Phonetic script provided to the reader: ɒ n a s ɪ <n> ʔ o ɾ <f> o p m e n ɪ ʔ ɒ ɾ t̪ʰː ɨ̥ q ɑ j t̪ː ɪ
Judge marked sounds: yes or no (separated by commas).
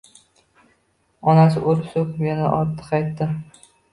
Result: no, no